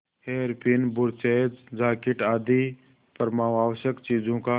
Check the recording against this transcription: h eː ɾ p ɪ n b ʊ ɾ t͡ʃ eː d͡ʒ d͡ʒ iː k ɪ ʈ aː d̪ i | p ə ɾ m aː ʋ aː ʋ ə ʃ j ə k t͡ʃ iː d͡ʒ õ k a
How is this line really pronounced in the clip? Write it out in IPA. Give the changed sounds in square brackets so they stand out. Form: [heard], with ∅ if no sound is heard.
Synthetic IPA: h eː ɾ p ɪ n b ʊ ɾ t͡ʃ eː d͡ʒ d͡ʒ [aː] k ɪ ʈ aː d̪ i | p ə ɾ m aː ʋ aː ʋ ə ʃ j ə k t͡ʃ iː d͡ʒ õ k a